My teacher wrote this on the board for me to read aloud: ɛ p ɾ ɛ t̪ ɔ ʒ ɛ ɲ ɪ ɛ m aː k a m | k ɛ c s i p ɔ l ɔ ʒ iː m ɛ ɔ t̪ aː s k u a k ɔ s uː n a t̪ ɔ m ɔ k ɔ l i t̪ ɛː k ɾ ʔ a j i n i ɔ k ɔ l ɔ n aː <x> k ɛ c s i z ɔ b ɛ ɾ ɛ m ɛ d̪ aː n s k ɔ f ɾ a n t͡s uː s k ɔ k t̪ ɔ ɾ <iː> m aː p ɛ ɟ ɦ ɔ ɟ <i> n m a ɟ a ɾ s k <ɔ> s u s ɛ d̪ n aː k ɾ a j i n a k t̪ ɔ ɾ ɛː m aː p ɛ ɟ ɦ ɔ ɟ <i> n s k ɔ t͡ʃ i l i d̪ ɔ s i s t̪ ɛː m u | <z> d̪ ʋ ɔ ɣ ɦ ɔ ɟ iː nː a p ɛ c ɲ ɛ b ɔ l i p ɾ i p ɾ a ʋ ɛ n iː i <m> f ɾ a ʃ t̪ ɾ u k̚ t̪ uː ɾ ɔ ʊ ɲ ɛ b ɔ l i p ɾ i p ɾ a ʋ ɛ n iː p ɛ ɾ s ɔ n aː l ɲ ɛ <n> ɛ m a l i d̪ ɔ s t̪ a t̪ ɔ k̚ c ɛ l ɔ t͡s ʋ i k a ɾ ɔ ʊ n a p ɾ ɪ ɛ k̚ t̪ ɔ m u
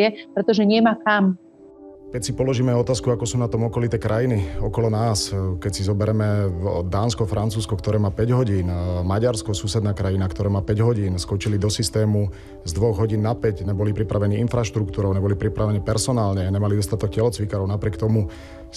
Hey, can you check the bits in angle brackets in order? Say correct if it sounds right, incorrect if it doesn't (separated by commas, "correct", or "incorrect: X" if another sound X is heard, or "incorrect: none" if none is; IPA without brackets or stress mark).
incorrect: s, incorrect: ɛː, incorrect: iː, correct, incorrect: iː, correct, incorrect: n, incorrect: ɲ